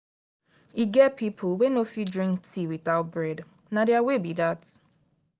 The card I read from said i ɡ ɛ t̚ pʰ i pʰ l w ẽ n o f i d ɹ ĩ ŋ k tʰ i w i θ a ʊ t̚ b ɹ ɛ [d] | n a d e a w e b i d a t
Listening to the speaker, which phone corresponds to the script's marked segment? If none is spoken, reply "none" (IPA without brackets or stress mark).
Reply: d